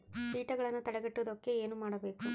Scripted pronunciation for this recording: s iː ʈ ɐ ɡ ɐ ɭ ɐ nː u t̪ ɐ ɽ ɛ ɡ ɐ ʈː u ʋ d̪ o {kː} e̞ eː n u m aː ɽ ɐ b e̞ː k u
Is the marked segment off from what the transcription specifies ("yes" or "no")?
no